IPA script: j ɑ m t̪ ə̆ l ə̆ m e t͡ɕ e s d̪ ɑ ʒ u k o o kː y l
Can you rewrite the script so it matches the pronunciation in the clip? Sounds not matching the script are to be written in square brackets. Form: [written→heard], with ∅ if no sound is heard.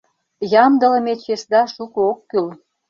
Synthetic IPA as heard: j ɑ m [t̪→d̪] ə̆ l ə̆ m e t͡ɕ e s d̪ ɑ [ʒ→ʃ] u k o o kː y l